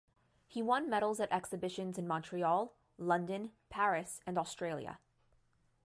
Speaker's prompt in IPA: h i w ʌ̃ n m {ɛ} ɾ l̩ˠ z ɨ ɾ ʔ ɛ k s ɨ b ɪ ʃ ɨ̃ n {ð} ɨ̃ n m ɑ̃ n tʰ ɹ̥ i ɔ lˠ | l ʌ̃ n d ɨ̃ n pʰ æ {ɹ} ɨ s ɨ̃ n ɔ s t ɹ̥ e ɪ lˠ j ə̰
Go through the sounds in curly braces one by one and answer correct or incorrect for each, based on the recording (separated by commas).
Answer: correct, incorrect, correct